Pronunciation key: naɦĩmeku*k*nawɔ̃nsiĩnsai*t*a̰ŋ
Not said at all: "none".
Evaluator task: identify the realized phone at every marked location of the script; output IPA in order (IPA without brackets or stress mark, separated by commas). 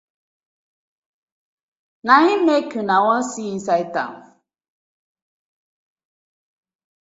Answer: none, t